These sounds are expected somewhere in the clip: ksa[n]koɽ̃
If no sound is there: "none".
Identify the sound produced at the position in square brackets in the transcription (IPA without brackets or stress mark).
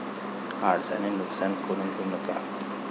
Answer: n